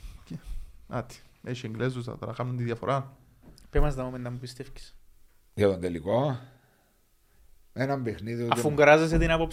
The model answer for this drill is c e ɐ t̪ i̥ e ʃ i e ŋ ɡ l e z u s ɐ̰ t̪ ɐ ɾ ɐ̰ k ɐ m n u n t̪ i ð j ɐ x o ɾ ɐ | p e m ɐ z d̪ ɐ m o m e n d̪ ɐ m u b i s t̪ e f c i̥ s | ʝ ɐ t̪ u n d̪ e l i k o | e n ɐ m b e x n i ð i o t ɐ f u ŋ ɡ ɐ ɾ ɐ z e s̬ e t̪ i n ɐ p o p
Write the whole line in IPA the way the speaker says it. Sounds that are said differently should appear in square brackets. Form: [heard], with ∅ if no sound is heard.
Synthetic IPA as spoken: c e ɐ t̪ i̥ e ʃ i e ŋ ɡ l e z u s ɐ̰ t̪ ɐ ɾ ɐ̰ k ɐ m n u n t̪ i ð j ɐ [f] o ɾ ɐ | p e m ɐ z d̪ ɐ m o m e n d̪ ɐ m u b i s t̪ e f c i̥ s | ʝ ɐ t̪ [o] n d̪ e l i k o | e n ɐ m b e x n i ð i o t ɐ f u ŋ ɡ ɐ ɾ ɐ z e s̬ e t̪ i n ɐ p o p